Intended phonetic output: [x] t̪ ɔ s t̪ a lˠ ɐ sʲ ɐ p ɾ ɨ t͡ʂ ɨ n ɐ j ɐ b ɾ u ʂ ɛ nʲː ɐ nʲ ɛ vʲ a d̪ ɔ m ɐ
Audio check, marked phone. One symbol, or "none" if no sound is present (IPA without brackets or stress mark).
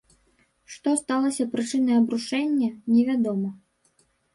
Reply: ʂ